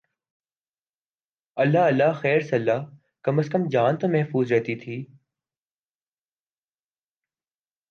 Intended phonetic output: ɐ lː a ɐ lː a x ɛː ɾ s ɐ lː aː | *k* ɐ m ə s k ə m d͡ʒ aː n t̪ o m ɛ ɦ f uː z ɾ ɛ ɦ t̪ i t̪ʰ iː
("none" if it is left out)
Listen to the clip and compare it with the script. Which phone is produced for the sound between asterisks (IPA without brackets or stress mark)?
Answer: k